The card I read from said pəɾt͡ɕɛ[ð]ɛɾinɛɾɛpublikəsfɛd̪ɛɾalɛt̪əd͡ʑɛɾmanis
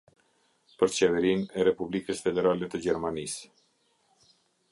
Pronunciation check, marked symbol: incorrect: v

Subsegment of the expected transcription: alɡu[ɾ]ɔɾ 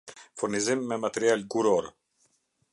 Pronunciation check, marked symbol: correct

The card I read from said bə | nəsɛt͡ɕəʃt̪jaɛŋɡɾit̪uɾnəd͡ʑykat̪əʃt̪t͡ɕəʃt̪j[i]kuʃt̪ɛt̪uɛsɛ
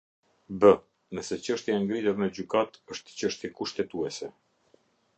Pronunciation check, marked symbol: incorrect: ɛ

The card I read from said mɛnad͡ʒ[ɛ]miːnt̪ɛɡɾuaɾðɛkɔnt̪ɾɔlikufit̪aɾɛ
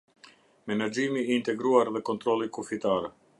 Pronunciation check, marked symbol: incorrect: i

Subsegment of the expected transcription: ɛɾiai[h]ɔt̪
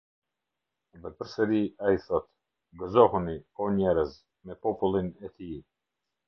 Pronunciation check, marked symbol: incorrect: θ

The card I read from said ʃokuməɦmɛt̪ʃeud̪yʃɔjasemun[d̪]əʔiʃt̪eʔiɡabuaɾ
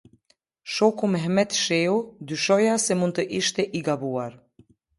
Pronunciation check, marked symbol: incorrect: t̪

